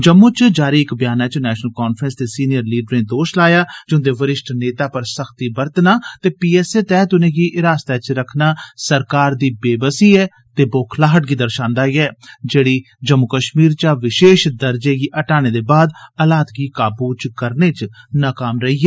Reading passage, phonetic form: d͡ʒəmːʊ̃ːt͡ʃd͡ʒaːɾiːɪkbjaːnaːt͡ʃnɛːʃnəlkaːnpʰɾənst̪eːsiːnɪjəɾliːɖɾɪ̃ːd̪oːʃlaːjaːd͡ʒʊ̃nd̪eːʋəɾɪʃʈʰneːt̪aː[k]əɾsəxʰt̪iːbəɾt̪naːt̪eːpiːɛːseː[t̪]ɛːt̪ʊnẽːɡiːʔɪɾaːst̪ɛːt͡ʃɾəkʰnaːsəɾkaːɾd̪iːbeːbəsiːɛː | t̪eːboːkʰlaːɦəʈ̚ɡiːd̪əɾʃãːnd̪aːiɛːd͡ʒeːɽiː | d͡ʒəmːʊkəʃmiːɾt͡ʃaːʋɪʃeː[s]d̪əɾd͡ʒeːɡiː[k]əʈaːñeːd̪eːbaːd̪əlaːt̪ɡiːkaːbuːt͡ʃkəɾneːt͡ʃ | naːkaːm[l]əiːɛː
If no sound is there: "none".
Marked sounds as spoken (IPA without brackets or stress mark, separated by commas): p, t̪, ʃ, ʔ, ɾ